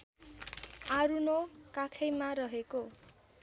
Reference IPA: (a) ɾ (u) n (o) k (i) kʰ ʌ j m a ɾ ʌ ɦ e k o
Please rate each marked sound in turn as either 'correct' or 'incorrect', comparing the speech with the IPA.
correct, correct, correct, incorrect

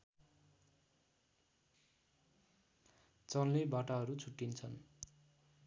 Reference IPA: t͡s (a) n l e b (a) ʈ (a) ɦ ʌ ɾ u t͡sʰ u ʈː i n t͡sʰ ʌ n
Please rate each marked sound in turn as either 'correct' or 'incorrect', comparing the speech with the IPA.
incorrect, correct, correct

